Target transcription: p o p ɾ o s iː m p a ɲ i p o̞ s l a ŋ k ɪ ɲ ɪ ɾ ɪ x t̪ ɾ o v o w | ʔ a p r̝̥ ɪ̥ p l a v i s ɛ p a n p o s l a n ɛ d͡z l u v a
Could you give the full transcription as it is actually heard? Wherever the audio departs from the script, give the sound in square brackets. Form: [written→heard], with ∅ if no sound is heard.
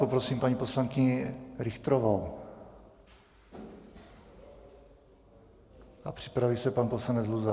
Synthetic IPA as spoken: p o p ɾ o s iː m p a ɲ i p o̞ s l a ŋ k ɪ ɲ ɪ ɾ ɪ x t̪ ɾ o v o w | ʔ a p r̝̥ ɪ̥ p [l→ɾ] a v i s ɛ p a n p o s l a n ɛ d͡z l u [v→z] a